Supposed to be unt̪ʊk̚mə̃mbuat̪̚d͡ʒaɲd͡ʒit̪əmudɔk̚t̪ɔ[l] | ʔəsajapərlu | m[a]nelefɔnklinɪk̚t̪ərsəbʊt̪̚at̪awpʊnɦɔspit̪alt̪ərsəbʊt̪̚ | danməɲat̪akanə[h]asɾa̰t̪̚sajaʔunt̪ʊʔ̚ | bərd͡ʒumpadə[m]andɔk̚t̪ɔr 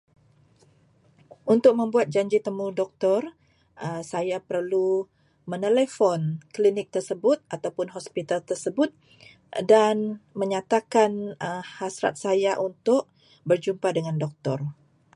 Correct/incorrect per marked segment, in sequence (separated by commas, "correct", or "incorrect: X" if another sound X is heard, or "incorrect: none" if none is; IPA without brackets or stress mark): incorrect: r, incorrect: ə, correct, incorrect: ŋ